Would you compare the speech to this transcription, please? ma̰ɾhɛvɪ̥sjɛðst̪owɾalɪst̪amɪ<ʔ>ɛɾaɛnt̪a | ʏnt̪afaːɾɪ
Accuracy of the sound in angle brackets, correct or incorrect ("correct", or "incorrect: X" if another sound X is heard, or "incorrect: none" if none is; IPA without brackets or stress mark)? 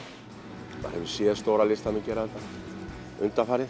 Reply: incorrect: c